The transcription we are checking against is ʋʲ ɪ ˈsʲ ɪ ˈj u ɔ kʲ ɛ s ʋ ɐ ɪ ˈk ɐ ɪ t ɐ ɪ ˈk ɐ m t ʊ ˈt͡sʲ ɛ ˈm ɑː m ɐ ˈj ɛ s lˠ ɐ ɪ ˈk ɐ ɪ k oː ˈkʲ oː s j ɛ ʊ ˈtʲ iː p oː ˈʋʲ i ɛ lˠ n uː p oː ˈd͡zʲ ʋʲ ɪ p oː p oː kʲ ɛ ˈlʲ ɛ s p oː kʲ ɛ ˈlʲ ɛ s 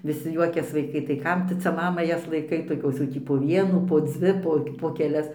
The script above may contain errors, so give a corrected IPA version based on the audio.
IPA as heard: ʋʲ ɪ ˈsʲ ɪ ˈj u ɔ kʲ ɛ s ʋ ɐ ɪ ˈk ɐ ɪ t ɐ ɪ ˈk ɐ m t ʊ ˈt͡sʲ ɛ ˈm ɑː m ɐ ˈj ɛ s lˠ ɐ ɪ ˈk ɐ ɪ t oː ˈkʲ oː s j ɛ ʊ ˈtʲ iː p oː ˈʋʲ i ɛ n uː p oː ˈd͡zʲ ʋʲ ɪ p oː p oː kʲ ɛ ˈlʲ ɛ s p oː kʲ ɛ ˈlʲ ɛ s